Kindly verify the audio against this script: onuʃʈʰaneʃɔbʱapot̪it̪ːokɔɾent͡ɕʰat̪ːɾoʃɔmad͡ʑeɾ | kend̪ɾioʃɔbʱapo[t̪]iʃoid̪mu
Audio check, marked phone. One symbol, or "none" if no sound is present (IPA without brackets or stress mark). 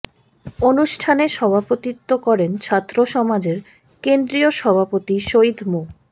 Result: t̪